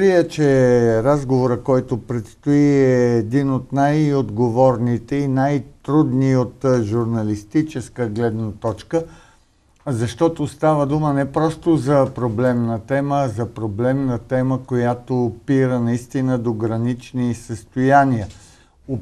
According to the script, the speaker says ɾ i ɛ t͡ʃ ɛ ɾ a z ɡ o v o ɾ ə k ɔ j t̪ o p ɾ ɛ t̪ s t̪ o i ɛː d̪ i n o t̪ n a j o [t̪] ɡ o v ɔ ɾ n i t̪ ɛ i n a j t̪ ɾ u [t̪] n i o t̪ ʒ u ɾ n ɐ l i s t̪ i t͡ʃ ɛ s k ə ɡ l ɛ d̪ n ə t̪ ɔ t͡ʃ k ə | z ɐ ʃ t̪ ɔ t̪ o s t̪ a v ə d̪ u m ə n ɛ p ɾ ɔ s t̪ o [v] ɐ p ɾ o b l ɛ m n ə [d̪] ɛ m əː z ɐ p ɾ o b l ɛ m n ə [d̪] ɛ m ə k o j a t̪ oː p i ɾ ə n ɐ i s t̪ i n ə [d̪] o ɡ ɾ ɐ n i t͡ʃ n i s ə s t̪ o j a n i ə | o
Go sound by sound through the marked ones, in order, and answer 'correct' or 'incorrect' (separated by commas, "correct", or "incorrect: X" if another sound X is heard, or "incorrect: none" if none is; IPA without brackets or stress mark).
incorrect: d̪, incorrect: d̪, incorrect: z, incorrect: t̪, incorrect: t̪, correct